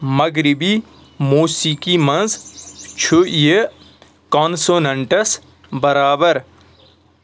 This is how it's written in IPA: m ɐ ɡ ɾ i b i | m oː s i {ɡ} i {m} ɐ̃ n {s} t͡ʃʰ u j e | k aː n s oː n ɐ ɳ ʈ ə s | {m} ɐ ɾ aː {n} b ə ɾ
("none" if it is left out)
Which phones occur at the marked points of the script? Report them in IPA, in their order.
k, m, z, b, none

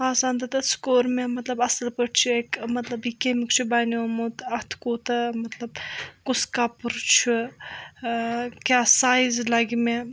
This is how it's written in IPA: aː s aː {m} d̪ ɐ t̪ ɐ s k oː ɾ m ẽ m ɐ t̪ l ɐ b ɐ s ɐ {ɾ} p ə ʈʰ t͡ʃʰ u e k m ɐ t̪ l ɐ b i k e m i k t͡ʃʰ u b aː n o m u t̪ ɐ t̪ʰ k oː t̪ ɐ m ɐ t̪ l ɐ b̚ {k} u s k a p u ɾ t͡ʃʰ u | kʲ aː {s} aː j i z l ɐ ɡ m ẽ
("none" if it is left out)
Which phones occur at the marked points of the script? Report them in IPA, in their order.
n, l, k, s

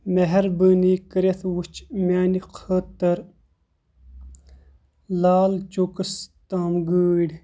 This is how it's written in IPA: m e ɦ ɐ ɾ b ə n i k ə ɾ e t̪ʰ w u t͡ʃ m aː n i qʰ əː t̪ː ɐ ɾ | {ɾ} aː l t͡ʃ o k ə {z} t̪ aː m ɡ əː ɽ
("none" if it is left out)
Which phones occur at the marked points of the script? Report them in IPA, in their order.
l, s

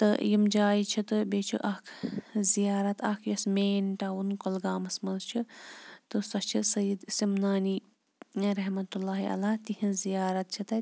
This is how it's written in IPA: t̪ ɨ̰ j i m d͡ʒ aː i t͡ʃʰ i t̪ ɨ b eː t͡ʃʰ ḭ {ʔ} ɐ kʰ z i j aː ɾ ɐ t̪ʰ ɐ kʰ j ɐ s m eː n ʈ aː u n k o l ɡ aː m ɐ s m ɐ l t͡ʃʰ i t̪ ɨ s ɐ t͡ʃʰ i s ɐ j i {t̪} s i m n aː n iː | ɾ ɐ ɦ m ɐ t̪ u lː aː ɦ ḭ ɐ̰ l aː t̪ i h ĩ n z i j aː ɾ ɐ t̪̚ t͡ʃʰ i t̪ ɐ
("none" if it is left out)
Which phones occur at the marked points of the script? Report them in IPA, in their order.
ʔ, d̪

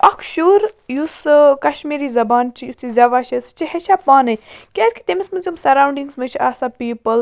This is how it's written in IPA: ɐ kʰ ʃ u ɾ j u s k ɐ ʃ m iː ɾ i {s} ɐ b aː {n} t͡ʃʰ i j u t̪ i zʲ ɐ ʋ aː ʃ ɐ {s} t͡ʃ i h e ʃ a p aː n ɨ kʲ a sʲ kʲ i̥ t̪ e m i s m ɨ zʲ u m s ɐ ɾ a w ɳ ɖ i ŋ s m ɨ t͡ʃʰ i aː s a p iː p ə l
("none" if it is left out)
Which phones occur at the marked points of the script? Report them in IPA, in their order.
z, n, s

